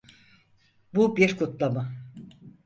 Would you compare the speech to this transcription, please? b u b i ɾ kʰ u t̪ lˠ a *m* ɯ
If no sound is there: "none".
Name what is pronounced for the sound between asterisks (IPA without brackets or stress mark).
m